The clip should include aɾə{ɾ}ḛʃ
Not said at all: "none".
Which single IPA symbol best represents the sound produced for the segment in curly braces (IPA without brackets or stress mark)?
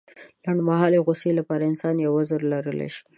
l